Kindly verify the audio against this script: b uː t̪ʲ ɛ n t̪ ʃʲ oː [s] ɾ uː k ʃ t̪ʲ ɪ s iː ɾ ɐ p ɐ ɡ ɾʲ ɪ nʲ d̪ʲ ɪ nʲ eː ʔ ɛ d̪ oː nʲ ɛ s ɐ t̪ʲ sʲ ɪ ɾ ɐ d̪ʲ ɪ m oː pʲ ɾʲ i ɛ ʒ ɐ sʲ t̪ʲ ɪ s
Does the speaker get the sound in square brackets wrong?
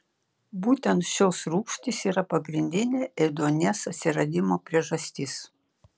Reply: no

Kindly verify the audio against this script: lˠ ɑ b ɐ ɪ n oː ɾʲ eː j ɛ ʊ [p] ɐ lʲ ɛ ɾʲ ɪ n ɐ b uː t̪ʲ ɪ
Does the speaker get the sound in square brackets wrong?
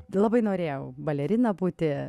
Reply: yes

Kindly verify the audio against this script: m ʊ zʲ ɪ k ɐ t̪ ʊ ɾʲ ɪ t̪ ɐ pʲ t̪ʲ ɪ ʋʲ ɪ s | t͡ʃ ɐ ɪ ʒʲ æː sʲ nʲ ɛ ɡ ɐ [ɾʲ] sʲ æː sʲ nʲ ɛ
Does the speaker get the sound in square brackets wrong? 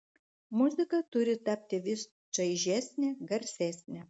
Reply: no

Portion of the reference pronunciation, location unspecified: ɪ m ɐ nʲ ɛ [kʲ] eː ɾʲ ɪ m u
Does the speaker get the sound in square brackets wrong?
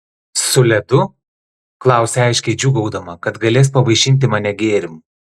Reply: yes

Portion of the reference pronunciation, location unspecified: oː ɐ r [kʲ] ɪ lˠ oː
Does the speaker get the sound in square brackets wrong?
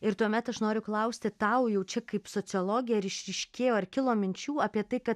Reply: no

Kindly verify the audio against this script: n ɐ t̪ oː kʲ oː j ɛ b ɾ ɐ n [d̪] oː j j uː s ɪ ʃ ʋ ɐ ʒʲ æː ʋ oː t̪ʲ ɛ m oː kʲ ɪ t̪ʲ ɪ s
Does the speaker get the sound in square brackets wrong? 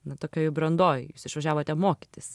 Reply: no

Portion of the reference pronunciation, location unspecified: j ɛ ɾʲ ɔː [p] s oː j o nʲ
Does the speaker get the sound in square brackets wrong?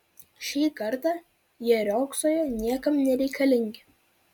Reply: yes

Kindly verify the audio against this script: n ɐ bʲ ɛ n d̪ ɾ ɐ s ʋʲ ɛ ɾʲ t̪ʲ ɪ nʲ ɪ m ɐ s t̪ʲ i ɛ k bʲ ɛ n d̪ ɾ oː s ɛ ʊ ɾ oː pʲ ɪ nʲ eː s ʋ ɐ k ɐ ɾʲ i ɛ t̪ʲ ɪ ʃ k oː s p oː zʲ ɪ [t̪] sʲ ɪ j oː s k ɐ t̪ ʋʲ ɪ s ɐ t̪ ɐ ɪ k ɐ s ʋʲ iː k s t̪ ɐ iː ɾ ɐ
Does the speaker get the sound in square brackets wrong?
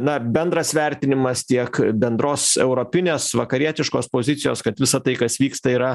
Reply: no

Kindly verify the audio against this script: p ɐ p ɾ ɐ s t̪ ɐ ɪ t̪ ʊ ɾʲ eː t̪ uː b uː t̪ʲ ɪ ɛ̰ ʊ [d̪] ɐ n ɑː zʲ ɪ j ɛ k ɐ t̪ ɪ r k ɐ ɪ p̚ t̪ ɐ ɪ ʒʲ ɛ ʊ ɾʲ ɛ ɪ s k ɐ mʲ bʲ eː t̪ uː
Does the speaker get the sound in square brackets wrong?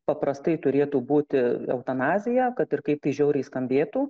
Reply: yes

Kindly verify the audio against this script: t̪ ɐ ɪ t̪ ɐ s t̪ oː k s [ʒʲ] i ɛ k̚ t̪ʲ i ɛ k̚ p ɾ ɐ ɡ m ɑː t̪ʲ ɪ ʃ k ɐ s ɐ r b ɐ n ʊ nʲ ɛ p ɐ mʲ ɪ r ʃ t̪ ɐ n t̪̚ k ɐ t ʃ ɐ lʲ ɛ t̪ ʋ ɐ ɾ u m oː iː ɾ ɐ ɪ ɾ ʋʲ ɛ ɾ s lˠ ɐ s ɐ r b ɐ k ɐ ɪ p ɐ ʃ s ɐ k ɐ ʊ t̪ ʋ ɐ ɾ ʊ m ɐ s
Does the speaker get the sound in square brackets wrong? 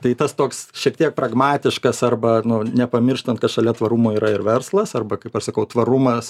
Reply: yes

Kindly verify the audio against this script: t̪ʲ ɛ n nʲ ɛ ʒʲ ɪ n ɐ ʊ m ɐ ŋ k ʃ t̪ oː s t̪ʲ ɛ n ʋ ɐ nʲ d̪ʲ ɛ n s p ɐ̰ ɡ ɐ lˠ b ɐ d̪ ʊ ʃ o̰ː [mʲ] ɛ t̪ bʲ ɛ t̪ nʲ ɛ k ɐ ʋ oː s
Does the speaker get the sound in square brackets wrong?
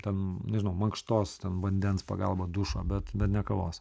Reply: yes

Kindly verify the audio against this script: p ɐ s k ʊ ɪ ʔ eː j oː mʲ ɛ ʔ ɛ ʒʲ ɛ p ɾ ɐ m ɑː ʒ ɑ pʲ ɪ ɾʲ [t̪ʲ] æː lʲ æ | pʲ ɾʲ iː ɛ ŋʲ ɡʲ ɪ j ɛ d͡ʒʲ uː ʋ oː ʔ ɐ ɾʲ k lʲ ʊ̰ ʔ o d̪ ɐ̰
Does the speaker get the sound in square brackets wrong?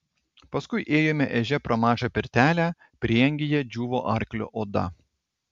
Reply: no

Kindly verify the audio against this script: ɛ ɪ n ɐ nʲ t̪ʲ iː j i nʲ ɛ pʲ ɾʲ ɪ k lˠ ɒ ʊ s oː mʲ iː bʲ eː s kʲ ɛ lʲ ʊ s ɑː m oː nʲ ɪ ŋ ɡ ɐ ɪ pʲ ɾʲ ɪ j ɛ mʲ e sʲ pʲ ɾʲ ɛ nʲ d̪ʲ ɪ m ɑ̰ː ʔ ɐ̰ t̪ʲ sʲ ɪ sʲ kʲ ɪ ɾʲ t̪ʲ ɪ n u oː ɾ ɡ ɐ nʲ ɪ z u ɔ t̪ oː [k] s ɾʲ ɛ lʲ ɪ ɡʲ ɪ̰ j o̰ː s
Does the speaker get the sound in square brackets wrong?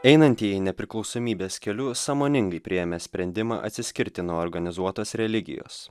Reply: yes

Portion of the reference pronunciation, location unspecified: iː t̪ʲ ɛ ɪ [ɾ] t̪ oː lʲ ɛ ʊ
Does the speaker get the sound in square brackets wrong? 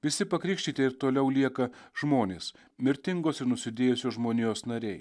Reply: no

